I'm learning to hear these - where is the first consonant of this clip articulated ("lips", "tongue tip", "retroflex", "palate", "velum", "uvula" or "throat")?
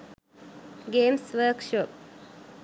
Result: velum